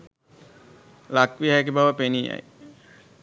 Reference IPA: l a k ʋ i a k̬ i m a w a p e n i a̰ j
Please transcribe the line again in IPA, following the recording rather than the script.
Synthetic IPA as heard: l a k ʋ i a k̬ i b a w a p e n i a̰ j